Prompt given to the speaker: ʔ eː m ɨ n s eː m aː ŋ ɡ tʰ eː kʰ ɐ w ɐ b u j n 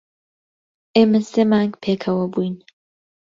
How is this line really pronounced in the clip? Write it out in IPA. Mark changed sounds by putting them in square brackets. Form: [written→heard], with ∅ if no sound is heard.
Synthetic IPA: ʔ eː m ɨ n s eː m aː ŋ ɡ [tʰ→pʰ] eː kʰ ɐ w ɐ b u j n